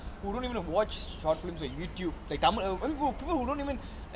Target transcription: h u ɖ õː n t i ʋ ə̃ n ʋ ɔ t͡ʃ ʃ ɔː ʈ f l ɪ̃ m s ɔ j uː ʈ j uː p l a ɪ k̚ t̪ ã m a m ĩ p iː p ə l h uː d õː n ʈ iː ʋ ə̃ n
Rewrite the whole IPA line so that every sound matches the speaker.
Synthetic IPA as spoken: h u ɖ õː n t i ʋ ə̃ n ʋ ɔ t͡ʃ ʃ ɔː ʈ f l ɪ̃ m s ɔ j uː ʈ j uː b l a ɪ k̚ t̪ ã m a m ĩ p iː p ə l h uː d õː n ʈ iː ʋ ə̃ n